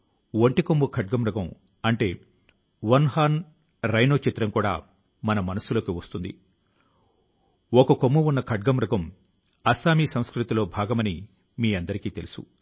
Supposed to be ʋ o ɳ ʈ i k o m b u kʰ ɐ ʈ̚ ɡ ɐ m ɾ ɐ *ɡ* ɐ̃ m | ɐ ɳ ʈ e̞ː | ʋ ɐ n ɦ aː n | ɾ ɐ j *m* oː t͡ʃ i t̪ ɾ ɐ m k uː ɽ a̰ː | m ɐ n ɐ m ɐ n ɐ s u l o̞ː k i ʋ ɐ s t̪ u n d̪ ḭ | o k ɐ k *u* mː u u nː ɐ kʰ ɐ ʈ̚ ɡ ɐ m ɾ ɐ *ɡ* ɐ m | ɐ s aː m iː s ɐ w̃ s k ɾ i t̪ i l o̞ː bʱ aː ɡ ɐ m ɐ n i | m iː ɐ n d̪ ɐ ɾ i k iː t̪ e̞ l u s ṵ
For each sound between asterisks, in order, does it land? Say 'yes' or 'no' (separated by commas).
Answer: yes, no, no, yes